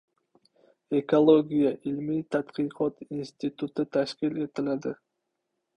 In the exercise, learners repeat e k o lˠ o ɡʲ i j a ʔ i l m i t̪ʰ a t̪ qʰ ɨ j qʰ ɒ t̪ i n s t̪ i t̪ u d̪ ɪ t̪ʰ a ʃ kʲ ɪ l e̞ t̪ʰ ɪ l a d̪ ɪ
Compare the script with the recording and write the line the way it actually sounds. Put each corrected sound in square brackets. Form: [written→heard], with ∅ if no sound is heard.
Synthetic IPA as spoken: e k o lˠ o ɡʲ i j a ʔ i l m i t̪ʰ a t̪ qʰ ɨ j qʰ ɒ t̪ i n s t̪ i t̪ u [d̪→t̪] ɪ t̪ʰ a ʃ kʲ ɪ l e̞ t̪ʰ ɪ l a d̪ ɪ